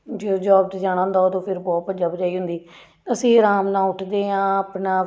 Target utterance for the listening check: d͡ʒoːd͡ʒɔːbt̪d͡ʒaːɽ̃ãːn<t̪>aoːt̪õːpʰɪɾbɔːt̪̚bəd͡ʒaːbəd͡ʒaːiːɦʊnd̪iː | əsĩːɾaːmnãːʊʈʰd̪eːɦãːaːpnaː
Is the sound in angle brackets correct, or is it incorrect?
incorrect